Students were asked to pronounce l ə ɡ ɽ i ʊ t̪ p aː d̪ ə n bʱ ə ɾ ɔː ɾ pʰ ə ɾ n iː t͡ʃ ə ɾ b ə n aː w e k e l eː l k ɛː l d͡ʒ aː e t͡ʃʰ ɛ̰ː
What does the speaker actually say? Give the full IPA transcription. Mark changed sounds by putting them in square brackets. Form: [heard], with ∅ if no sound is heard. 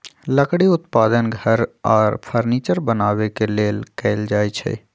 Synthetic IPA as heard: l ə [k] ɽ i ʊ t̪ p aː d̪ ə n [ɡʱ] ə ɾ ɔː ɾ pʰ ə ɾ n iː t͡ʃ ə ɾ b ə n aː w e k e l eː l k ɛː l d͡ʒ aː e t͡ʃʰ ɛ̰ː